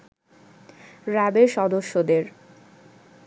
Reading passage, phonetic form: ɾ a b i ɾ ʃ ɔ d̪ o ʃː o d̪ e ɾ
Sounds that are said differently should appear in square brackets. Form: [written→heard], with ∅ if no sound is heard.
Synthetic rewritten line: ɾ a b [i→e] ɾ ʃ ɔ d̪ o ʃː o d̪ e ɾ